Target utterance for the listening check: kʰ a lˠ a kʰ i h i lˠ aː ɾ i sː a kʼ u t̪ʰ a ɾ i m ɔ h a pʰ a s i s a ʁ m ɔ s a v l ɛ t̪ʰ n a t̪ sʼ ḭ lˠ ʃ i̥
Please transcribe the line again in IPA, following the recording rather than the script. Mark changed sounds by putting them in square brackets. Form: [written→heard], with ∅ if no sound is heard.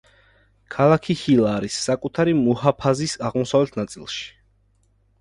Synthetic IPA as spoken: kʰ a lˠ a kʰ i h i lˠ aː ɾ i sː a kʼ u t̪ʰ a ɾ i m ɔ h a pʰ a [s→z] i s a ʁ m ɔ s a v l ɛ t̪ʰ n a t̪ sʼ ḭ lˠ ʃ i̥